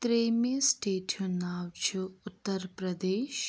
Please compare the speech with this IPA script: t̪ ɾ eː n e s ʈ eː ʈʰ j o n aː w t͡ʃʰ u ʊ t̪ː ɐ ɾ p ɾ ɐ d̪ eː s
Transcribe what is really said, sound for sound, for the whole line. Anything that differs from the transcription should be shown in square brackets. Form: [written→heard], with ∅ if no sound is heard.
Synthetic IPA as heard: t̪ ɾ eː [n→m] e s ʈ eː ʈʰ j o n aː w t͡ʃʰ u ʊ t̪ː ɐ ɾ p ɾ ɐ d̪ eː [s→ʃ]